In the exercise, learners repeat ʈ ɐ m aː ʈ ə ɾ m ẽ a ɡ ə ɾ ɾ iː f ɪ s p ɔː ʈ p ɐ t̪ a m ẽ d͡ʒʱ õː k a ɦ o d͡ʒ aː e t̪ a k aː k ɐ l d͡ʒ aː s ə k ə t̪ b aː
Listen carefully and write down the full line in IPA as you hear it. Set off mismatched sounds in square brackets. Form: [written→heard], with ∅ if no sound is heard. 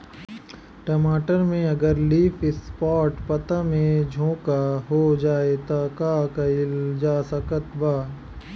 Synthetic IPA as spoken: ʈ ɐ m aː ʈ ə ɾ m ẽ [a→ɐ] ɡ ə ɾ [ɾ→l] iː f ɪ s p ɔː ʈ p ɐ t̪ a m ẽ d͡ʒʱ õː k a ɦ o d͡ʒ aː e t̪ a k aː k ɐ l d͡ʒ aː s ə k ə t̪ b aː